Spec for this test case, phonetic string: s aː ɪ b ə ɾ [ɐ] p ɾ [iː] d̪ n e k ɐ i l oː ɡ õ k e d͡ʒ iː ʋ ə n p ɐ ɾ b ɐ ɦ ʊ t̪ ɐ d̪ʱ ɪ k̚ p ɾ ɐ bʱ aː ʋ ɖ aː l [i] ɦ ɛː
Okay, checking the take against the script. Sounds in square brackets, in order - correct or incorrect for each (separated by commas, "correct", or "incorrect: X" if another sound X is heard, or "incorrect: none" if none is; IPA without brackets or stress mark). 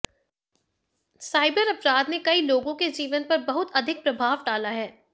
correct, incorrect: aː, incorrect: a